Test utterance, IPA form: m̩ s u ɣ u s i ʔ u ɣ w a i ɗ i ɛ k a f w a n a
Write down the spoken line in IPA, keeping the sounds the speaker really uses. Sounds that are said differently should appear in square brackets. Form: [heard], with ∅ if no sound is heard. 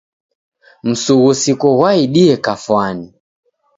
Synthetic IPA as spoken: m̩ s u ɣ u s i [k] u ɣ w a i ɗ i ɛ k a f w a n [i]